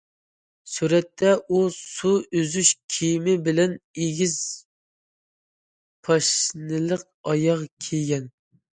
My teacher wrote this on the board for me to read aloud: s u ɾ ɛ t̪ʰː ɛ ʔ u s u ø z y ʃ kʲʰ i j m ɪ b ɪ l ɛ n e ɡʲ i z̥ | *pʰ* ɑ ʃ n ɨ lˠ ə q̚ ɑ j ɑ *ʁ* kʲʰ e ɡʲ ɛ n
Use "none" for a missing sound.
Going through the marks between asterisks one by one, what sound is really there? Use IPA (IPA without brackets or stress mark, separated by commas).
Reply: pʰ, ʁ